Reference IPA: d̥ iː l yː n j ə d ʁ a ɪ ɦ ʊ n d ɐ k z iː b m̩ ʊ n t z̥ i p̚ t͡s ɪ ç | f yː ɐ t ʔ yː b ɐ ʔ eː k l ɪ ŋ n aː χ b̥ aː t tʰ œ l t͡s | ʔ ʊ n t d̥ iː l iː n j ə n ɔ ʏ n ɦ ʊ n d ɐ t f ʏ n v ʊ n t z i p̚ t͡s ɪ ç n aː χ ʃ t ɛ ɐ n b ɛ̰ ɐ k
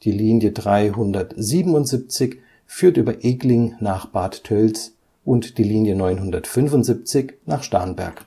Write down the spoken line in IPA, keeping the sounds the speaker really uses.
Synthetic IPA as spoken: d̥ iː l iː n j ə d ʁ a ɪ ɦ ʊ n d ɐ t z iː b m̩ ʊ n t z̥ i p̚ t͡s ɪ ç | f yː ɐ t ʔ yː b ɐ ʔ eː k l ɪ ŋ n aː χ b̥ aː t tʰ œ l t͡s | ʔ ʊ n t d̥ iː l iː n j ə n ɔ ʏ n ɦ ʊ n d ɐ t f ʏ n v ʊ n t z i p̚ t͡s ɪ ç n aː χ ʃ t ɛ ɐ n b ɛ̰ ɐ k

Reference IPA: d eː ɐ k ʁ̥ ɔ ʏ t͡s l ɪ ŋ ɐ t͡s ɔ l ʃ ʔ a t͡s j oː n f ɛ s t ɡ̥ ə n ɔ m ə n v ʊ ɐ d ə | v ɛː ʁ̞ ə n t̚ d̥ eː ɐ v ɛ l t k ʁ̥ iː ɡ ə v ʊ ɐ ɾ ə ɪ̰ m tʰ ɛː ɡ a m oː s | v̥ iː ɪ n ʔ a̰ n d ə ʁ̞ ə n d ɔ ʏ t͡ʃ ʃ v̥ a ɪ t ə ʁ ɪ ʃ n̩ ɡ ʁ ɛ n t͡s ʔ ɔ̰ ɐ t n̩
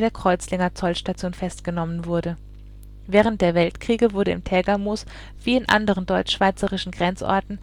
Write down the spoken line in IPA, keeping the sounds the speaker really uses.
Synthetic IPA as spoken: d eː ɐ k ʁ̥ ɔ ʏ t͡s l ɪ ŋ ɐ t͡s ɔ l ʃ t a t͡s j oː n f ɛ s t ɡ̥ ə n ɔ m ə n v ʊ ɐ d ə | v ɛː ʁ̞ ə n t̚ d̥ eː ɐ v ɛ l t k ʁ̥ iː ɡ ə v ʊ ɐ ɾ ə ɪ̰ m tʰ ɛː ɡ a m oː s | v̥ iː ɪ n ʔ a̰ n d ə ʁ̞ ə n d ɔ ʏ t͡ʃ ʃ v̥ a ɪ t͡s ə ʁ ɪ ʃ n̩ ɡ ʁ ɛ n t͡s ʔ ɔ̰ ɐ t n̩

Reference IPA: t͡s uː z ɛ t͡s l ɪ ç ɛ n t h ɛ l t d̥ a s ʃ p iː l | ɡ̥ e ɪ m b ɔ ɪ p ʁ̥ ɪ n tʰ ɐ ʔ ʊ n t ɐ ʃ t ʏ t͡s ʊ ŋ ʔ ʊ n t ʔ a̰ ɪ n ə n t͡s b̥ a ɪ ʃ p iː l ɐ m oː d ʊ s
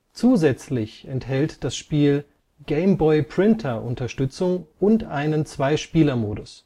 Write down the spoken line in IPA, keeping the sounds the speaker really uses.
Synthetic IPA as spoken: t͡s uː z ɛ t͡s l ɪ ç ɛ n t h ɛ l t d̥ a s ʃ p iː l | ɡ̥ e ɪ m b ɔ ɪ p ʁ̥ ɪ n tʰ ɐ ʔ ʊ n t ɐ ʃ t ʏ t͡s ʊ ŋ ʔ ʊ n t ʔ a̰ ɪ n ə n t͡s v̥ a ɪ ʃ p iː l ɐ m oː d ʊ s

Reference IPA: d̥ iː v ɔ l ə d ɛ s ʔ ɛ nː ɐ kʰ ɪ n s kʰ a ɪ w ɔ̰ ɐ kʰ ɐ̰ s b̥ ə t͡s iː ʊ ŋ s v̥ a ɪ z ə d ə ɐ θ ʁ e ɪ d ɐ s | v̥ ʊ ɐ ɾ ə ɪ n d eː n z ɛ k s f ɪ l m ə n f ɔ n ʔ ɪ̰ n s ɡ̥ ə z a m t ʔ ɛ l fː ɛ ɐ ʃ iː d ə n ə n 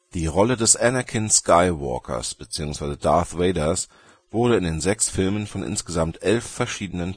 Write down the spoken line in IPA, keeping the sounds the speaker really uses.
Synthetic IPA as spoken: d̥ iː ʁ ɔ l ə d ɛ s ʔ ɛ n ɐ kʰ ɪ n s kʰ a ɪ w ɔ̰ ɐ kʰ ɐ̰ s b̥ ə t͡s iː ʊ ŋ s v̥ a ɪ z ə d a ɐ θ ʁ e ɪ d ɐ s | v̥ ʊ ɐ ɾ ə ɪ n d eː n z ɛ k s f ɪ l m ə n f ɔ n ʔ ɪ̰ n s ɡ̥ ə z a m t ʔ ɛ l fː ɛ ɐ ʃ iː d ə n ə n

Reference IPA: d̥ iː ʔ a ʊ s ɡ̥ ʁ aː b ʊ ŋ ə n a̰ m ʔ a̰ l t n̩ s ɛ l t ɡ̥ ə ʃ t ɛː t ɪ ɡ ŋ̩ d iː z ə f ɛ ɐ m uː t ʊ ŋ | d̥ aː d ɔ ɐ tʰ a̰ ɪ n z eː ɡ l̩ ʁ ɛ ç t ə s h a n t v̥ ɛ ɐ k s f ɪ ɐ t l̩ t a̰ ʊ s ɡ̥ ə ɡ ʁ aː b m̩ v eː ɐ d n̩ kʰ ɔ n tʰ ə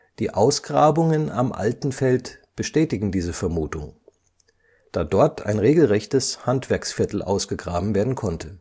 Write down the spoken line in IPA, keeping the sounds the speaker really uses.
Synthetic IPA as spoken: d̥ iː ʔ a ʊ s ɡ̥ ʁ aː b ʊ ŋ ə n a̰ m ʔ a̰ l t n̩ f ɛ l t b̥ ə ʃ t ɛː t ɪ ɡ ŋ̩ d iː z ə f ɛ ɐ m uː t ʊ ŋ | d̥ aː d ɔ ɐ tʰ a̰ ɪ n ʁ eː ɡ l̩ ʁ ɛ ç t ə s h a n t v̥ ɛ ɐ k s f ɪ ɐ t l̩ ʔ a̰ ʊ s ɡ̥ ə ɡ ʁ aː b m̩ v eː ɐ d n̩ kʰ ɔ n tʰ ə

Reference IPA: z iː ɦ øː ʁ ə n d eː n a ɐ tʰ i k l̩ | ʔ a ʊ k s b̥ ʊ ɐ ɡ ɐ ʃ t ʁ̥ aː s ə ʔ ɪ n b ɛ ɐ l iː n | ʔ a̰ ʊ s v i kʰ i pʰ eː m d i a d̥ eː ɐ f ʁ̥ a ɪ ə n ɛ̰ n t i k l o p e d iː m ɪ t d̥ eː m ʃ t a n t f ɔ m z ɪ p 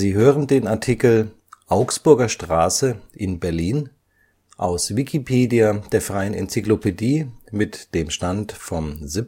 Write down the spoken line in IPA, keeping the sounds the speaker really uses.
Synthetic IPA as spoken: z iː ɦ øː ʁ ə n d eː n a ɐ tʰ i k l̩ | ʔ a ʊ k s b̥ ʊ ɐ ɡ ɐ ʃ t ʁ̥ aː s ə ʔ ɪ n b ɛ ɐ l iː n | ʔ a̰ ʊ s v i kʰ i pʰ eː d i a d̥ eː ɐ f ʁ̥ a ɪ ə n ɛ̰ n t͡s i k l o p e d iː m ɪ t d̥ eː m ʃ t a n t f ɔ m z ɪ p

